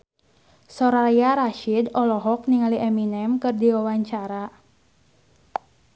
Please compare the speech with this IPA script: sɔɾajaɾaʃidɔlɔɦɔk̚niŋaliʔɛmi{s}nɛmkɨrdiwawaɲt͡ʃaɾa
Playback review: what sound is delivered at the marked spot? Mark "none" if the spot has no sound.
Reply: none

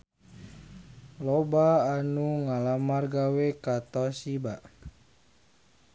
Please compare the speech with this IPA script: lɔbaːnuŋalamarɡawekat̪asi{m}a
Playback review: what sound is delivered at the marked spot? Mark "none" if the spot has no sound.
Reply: b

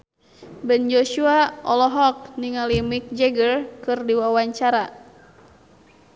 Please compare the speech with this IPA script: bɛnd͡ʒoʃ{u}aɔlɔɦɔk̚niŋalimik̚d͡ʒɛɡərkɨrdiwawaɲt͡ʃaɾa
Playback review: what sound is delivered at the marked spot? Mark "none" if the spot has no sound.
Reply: u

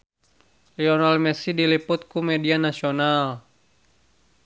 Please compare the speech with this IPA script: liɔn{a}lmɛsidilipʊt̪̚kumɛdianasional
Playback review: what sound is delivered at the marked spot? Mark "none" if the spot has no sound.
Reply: a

